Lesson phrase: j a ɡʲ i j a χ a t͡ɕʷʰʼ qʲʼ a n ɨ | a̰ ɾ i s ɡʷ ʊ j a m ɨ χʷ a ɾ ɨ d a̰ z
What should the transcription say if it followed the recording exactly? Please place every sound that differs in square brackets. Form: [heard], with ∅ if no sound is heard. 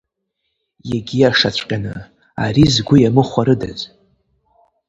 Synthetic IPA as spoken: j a ɡʲ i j a [ʂ] a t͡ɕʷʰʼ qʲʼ a n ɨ | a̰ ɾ i [z] ɡʷ ʊ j a m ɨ χʷ a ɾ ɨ d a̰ z